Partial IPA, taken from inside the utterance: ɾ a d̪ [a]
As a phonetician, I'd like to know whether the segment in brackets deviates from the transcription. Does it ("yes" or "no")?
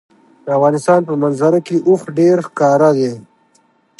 yes